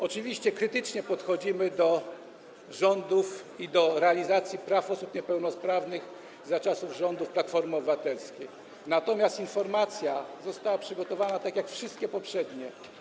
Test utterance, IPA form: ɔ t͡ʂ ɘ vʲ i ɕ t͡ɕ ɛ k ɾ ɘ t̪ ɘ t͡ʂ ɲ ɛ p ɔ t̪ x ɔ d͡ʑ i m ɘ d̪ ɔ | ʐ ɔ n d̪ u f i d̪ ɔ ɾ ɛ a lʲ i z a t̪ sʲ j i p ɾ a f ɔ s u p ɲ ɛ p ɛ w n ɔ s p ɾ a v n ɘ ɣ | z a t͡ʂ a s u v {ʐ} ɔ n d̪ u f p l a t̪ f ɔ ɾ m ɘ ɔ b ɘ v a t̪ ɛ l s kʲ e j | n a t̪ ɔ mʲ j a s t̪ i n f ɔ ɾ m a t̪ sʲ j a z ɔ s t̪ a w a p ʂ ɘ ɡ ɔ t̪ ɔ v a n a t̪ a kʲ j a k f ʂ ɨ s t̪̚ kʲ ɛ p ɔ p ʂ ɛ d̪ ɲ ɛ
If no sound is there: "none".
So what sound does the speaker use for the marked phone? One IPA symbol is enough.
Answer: ʐ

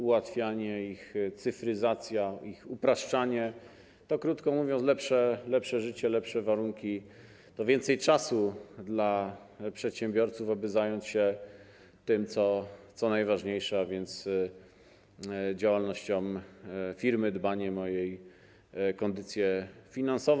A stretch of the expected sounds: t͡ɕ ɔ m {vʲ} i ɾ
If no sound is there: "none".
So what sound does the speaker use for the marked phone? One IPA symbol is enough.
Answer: fʲ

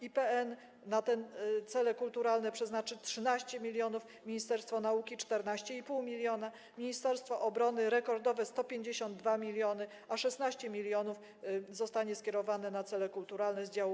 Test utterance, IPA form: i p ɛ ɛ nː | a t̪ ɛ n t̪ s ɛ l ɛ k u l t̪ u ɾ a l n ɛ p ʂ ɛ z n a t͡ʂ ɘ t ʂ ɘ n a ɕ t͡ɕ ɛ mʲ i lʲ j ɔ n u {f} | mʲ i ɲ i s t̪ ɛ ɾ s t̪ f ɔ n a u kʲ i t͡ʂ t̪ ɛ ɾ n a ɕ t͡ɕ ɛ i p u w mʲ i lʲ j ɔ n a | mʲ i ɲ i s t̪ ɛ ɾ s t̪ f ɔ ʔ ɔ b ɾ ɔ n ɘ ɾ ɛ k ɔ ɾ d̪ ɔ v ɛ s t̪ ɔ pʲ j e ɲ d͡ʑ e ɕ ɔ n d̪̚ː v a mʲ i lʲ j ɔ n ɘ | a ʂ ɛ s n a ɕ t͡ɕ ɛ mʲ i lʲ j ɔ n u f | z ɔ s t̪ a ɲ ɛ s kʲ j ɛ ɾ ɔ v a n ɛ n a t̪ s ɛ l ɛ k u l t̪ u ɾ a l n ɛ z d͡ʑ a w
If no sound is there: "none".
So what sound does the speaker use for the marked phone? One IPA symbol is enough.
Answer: f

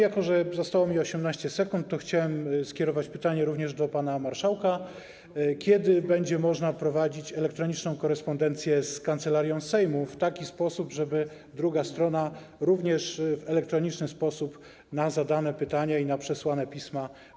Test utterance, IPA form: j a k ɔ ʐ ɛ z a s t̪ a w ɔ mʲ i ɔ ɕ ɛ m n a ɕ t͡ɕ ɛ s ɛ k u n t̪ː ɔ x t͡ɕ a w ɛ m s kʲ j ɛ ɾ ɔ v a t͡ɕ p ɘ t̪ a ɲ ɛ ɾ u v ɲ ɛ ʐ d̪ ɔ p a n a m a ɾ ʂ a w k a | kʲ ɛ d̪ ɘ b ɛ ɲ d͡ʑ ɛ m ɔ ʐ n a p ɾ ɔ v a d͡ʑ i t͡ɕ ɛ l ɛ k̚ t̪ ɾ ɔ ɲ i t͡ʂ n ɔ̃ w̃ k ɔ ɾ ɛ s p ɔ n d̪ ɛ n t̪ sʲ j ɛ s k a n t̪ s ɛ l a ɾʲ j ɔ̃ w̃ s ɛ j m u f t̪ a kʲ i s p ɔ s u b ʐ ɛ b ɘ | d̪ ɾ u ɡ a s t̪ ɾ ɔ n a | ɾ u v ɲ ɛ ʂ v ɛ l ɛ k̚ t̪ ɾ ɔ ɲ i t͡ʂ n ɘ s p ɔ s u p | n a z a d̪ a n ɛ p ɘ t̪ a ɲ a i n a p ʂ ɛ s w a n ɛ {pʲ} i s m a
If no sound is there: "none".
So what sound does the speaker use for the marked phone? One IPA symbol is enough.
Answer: pʲ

